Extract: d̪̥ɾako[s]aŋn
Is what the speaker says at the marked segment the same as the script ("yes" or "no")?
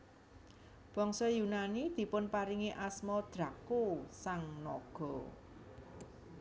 yes